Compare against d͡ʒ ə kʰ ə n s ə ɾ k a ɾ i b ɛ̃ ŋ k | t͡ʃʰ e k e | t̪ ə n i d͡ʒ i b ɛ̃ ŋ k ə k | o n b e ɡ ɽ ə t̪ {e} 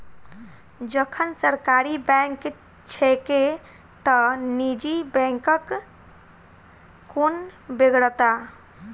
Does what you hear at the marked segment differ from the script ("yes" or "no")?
yes